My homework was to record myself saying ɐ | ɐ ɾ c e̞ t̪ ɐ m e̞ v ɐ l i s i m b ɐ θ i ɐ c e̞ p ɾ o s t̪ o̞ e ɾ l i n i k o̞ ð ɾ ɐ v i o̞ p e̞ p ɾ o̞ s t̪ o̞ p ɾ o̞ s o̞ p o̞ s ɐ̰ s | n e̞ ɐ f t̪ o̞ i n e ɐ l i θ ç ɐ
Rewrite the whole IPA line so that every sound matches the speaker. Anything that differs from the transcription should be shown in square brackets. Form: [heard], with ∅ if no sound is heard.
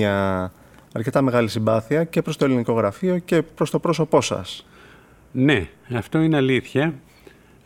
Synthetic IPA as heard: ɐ | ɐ ɾ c e̞ t̪ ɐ m e̞ [ɣ] ɐ l i s i m b ɐ θ i ɐ c e̞ p ɾ o s t̪ o̞ e [∅] l i n i k o̞ [ɣ] ɾ ɐ [f] i o̞ [c] e̞ p ɾ o̞ s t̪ o̞ p ɾ o̞ s o̞ p o̞ s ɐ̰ s | n e̞ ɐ f t̪ o̞ i n e ɐ l i θ ç ɐ